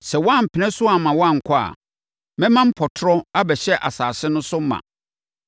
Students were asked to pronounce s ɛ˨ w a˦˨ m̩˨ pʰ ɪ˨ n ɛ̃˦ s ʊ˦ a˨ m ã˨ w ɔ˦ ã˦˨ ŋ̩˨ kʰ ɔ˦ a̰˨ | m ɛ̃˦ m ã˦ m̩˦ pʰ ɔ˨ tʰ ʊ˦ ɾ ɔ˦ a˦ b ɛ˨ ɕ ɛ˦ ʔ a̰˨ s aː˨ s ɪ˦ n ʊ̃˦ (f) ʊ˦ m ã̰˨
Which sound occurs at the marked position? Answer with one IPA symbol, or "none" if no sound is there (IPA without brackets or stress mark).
s